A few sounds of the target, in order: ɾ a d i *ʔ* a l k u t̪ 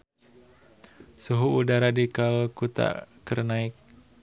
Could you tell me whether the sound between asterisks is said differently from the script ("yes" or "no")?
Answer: yes